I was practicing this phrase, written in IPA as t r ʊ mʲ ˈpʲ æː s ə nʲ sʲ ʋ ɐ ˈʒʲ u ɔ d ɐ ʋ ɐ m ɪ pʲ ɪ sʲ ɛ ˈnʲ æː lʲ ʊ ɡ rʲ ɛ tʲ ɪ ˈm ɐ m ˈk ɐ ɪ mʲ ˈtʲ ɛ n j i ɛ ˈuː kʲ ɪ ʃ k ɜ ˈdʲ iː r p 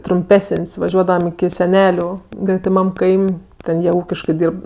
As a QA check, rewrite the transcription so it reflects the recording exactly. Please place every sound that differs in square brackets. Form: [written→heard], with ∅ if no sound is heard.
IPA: t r ʊ mʲ ˈpʲ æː s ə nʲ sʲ ʋ ɐ ˈʒʲ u ɔ d ɐ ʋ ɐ m ɪ [pʲ→kʲ] ɪ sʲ ɛ ˈnʲ æː lʲ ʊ ɡ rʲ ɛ tʲ ɪ ˈm ɐ m ˈk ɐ ɪ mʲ ˈtʲ ɛ n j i ɛ ˈuː kʲ ɪ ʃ k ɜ ˈdʲ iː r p